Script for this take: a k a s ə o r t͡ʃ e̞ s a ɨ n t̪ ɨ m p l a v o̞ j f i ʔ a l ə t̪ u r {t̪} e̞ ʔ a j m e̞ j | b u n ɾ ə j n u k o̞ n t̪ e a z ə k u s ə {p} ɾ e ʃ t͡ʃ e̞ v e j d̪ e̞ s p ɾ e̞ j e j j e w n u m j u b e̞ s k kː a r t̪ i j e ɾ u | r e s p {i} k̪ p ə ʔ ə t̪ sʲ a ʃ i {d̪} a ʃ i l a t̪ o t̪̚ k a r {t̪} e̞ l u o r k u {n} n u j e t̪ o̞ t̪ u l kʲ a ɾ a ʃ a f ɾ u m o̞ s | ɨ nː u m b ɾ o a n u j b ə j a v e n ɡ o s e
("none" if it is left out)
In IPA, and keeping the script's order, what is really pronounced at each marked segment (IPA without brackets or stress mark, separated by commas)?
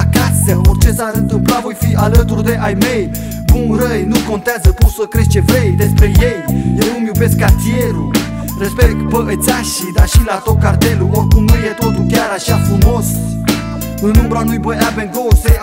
d̪, k, e, d̪, t̪, m